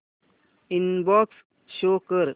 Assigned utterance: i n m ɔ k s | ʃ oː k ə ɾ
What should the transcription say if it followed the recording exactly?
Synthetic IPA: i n b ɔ k s | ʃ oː k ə ɾ